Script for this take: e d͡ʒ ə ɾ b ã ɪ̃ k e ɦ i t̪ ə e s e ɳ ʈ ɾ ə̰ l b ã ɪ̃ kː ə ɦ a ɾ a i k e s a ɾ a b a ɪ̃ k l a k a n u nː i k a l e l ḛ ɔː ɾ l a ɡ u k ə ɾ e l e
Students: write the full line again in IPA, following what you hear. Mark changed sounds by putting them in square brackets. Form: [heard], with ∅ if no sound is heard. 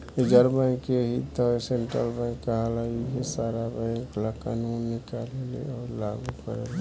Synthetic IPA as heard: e d͡ʒ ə ɾ b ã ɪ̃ k e ɦ i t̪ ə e s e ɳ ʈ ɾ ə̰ l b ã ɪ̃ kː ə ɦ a [l] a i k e s a ɾ a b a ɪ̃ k l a k a n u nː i k a l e l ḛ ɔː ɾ l a ɡ u k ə ɾ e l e